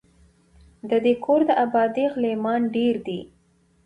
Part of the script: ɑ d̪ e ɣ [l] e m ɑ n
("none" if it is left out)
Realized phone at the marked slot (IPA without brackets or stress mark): l